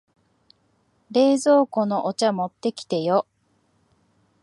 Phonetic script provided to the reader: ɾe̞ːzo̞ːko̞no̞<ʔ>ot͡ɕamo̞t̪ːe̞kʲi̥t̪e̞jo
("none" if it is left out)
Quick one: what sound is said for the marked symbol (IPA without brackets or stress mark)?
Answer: ʔ